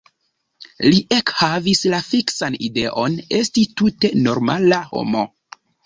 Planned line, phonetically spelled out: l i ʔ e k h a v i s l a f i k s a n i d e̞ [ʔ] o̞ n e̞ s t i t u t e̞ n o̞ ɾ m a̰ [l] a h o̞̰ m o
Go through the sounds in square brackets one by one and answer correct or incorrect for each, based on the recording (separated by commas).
correct, correct